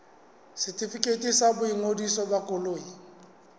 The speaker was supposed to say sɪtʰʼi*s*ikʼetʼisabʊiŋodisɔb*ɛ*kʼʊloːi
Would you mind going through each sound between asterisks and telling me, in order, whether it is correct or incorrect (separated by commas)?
incorrect, incorrect